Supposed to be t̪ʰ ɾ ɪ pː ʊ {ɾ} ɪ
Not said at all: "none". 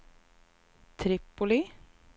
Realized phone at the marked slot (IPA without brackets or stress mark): l